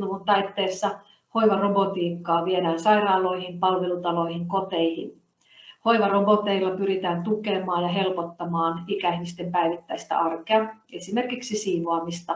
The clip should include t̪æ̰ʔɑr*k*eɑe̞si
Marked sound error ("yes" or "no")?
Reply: no